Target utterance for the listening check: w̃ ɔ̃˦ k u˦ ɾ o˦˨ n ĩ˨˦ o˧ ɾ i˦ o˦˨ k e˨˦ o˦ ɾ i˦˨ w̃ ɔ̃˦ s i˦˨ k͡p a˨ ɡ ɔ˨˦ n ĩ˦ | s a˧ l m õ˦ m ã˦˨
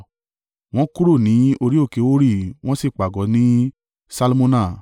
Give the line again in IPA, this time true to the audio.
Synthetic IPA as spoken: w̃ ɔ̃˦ k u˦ ɾ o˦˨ n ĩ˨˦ o˧ ɾ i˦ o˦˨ k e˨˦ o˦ ɾ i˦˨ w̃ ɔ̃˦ s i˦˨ k͡p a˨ ɡ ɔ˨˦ n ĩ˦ | s a˧ l m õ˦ n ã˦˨

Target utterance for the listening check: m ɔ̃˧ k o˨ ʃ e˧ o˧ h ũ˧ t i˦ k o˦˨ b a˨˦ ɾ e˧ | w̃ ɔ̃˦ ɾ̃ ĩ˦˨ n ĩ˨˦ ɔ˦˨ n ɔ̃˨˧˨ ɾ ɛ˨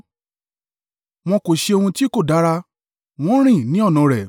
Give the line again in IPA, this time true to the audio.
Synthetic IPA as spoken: m ɔ̃˧ k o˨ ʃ e˧ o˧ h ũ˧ t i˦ k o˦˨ d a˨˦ ɾ a˧ | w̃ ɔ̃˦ ɾ̃ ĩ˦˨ n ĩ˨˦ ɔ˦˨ n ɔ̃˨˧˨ ɾ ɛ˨

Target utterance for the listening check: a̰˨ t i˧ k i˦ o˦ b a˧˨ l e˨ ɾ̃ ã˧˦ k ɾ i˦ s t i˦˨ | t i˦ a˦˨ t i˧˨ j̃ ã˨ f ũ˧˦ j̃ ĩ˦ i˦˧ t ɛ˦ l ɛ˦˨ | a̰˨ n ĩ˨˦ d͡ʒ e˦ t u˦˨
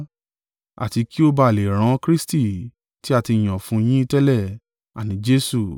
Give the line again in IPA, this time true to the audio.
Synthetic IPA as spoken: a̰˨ t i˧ k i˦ o˦ b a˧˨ l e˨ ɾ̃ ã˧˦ k ɾ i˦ s t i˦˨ | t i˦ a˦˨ t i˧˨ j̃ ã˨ f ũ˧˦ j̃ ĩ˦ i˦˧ t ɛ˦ l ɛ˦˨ | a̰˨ n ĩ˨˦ d͡ʒ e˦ s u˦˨

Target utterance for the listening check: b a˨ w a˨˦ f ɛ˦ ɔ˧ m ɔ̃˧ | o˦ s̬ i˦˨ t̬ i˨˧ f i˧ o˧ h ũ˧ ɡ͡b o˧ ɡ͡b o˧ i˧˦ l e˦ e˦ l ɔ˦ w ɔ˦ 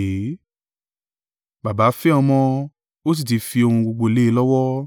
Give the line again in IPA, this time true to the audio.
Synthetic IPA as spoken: b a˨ b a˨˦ f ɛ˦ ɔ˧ m ɔ̃˧ | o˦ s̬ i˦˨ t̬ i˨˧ f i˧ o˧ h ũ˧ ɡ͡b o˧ ɡ͡b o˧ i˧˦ l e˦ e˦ l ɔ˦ w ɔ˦

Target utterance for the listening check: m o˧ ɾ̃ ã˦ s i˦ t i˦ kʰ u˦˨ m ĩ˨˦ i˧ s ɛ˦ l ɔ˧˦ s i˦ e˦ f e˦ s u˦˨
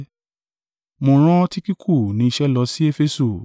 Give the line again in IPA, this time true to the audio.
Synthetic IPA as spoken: m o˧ ɾ̃ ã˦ t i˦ k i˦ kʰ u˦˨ n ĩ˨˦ i˧ ʃ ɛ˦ l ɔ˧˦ s i˦ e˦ f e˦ s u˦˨

